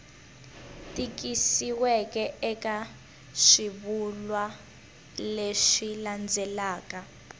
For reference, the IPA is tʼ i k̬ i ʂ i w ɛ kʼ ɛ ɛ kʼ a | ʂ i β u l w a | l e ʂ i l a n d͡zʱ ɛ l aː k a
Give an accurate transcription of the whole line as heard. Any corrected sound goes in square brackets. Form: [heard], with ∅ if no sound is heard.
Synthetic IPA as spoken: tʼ i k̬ i [s] i w ɛ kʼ ɛ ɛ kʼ a | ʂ i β u l w a | l e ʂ i l a n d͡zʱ ɛ l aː k a